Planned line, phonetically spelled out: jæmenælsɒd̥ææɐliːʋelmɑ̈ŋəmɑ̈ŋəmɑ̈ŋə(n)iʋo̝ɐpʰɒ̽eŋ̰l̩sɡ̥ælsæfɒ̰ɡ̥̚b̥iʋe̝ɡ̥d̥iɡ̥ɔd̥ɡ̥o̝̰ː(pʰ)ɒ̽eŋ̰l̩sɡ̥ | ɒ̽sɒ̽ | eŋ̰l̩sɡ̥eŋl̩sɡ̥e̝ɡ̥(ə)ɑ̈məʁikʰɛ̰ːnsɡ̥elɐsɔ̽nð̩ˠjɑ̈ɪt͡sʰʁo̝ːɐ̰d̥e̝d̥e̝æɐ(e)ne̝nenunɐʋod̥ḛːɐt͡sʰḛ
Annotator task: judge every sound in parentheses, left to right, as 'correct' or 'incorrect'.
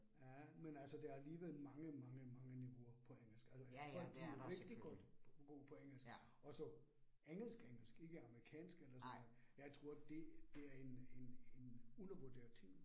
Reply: correct, correct, correct, correct

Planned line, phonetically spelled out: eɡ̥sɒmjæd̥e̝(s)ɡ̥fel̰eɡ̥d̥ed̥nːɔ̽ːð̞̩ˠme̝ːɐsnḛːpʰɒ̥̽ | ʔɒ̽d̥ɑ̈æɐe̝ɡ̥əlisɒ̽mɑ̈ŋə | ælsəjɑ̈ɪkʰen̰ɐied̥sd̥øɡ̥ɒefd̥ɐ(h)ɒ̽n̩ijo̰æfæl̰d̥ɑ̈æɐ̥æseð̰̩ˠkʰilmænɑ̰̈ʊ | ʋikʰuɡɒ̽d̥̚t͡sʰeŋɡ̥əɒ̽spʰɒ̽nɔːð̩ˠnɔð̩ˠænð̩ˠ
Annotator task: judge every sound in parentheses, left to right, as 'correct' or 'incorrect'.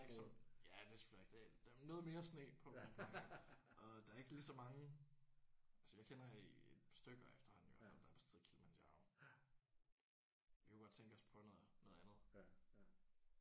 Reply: correct, correct

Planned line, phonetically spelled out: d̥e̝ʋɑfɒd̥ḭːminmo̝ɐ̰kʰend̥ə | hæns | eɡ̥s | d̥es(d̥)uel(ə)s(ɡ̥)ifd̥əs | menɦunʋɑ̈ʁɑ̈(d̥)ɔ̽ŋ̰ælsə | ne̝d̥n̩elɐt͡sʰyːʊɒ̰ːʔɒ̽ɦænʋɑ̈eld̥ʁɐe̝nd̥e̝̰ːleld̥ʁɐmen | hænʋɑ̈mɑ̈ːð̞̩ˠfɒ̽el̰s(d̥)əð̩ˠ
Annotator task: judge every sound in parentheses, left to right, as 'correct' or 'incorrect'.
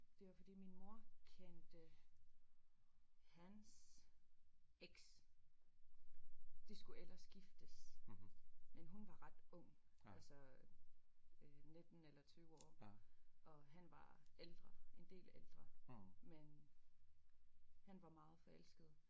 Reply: incorrect: ɡ̥, incorrect: ɐ, correct, correct, incorrect: ɡ̥

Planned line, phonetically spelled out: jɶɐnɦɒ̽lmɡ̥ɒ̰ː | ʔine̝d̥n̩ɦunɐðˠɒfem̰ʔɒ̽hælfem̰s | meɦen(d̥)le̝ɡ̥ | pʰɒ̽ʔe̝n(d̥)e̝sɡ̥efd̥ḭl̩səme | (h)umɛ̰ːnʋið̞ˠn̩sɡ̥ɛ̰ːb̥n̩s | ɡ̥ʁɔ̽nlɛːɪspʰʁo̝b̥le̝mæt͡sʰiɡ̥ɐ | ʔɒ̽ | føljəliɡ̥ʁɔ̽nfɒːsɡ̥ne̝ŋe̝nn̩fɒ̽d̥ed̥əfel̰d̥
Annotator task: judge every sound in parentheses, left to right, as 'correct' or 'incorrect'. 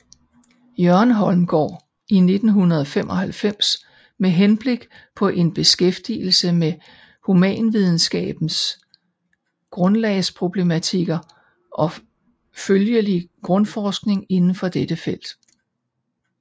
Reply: incorrect: b̥, incorrect: b̥, correct

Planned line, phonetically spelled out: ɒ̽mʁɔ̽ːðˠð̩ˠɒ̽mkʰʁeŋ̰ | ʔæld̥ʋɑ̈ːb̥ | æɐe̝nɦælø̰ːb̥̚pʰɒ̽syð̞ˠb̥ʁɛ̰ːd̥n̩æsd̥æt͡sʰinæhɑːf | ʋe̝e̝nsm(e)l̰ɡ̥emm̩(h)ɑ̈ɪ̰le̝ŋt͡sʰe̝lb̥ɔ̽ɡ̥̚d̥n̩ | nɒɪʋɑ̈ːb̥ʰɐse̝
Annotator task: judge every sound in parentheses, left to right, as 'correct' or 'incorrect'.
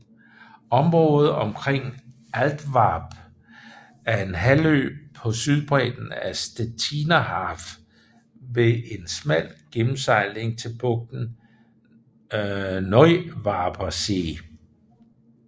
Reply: incorrect: æ, incorrect: s

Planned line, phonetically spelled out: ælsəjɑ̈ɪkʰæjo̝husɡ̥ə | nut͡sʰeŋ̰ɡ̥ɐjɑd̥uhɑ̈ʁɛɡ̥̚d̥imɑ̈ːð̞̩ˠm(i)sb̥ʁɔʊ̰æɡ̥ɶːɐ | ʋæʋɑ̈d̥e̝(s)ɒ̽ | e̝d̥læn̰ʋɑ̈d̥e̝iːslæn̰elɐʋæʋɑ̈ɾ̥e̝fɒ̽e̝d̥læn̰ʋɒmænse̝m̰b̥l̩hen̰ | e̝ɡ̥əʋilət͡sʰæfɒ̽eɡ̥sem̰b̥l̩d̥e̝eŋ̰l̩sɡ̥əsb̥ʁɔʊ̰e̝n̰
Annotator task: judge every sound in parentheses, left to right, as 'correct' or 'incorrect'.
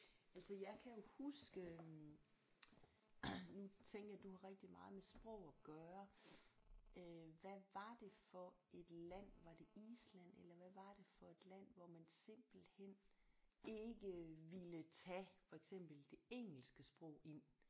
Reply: incorrect: e, incorrect: f

